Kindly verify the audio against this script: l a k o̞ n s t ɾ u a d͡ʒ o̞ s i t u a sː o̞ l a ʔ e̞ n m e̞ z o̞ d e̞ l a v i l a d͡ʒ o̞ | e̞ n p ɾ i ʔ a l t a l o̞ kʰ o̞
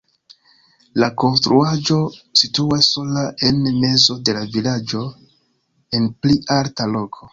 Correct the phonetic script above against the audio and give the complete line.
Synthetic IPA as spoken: l a k o̞ n s t ɾ u a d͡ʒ o̞ s i t u a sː o̞ l a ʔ e̞ n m e̞ z o̞ d e̞ l a v i l a d͡ʒ o̞ | e̞ n p l i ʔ a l t a l o̞ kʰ o̞